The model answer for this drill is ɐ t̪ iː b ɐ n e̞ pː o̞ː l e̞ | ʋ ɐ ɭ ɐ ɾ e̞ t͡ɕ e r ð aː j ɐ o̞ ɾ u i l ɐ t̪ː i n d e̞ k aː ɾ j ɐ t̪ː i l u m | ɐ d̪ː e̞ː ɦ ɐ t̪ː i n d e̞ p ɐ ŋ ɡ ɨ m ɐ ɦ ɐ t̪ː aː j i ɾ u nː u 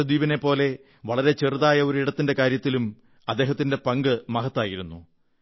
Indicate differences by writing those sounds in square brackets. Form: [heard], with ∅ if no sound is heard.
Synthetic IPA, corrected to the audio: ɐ [d̪] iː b ɐ n e̞ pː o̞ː l e̞ | ʋ ɐ ɭ ɐ ɾ e̞ t͡ɕ e r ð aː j ɐ o̞ ɾ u i [ɽ] ɐ t̪ː i n d e̞ k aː ɾ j ɐ t̪ː i l u m | ɐ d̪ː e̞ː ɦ ɐ t̪ː i n d e̞ p ɐ ŋ ɡ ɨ m ɐ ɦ ɐ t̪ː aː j i ɾ u nː u

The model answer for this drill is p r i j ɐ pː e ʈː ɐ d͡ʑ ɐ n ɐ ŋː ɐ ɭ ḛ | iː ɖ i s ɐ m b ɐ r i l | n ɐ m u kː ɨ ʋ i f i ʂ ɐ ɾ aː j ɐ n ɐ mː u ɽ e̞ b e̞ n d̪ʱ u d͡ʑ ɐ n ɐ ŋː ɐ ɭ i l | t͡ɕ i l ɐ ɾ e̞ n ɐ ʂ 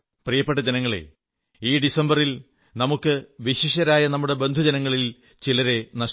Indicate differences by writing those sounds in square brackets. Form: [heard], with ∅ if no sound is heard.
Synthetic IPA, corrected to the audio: p r i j ɐ pː e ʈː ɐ d͡ʑ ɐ n ɐ ŋː ɐ ɭ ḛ | iː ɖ i s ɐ m b ɐ r i l | n ɐ m u kː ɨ ʋ i [ɕ] i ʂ ɐ ɾ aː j ɐ n ɐ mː u ɽ e̞ b e̞ n d̪ʱ u d͡ʑ ɐ n ɐ ŋː ɐ ɭ i l | t͡ɕ i l ɐ ɾ e̞ n ɐ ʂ

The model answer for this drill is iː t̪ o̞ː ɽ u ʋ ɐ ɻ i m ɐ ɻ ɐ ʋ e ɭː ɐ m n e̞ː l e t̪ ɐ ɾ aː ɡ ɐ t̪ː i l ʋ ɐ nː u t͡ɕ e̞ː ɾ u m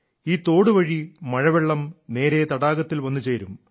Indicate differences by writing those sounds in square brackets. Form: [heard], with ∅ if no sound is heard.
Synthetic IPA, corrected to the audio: iː t̪ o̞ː ɽ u ʋ ɐ ɻ i m ɐ ɻ ɐ ʋ e ɭː ɐ m n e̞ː [ɾ] e t̪ ɐ [ɽ] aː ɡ ɐ t̪ː i l ʋ ɐ nː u t͡ɕ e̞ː ɾ u m

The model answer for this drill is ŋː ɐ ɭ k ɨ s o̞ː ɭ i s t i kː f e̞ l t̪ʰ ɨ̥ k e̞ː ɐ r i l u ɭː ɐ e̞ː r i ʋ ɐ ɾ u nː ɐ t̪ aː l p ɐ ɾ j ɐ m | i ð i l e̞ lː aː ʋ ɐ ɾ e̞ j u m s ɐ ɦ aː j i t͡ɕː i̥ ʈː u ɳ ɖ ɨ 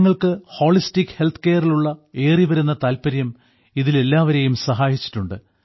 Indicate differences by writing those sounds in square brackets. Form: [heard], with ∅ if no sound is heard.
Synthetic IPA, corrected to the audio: ŋː ɐ ɭ k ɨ [h] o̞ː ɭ i s t i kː [h] e̞ l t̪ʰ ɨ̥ k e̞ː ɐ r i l u ɭː ɐ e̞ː r i ʋ ɐ ɾ u nː ɐ t̪ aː l p ɐ ɾ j ɐ m | i ð i l e̞ lː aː ʋ ɐ ɾ e̞ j u m s ɐ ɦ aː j i t͡ɕː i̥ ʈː u ɳ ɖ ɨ

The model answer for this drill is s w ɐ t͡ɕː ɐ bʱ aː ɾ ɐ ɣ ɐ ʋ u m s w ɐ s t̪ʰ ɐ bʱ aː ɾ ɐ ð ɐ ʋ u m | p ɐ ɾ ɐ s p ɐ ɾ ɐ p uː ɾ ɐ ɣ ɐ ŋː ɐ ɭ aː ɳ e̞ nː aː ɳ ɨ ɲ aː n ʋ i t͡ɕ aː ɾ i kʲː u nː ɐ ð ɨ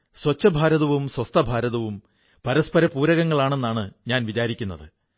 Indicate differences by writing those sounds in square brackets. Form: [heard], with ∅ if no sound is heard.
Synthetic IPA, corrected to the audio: s w ɐ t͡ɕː ɐ bʱ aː ɾ ɐ [ð] ɐ ʋ u m s w ɐ s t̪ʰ ɐ bʱ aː ɾ ɐ ð ɐ ʋ u m | p ɐ ɾ ɐ s p ɐ ɾ ɐ p uː ɾ ɐ ɣ ɐ ŋː ɐ ɭ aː ɳ e̞ nː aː ɳ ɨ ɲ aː n ʋ i t͡ɕ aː ɾ i kʲː u nː ɐ ð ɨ

